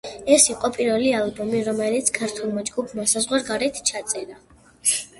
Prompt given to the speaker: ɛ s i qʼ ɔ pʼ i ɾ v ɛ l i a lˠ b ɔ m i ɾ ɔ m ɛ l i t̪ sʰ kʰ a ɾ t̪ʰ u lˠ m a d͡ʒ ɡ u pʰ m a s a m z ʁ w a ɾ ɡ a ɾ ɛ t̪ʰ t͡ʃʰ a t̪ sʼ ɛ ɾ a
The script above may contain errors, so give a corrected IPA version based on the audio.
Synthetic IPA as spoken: ɛ s i qʼ ɔ pʼ i ɾ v ɛ l i a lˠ b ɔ m i ɾ ɔ m ɛ l i t̪ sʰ kʰ a ɾ t̪ʰ u lˠ m a d͡ʒ ɡ u pʰ m a s a z ʁ w a ɾ ɡ a ɾ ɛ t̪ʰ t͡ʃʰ a t̪ sʼ ɛ ɾ a